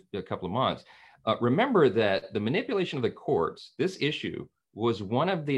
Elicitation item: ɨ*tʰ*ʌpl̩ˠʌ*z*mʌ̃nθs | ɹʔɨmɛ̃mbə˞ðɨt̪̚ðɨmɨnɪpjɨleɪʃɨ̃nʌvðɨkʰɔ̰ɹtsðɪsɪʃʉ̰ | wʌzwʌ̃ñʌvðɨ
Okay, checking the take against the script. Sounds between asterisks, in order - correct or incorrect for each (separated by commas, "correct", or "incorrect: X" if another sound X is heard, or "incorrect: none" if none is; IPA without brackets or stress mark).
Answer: incorrect: kʰ, incorrect: v